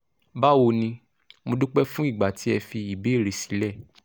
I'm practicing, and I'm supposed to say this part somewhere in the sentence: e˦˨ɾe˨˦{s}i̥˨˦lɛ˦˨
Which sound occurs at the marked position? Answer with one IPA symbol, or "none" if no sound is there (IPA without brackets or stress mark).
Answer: s